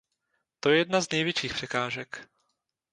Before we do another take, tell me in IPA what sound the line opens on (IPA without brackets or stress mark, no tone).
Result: t̪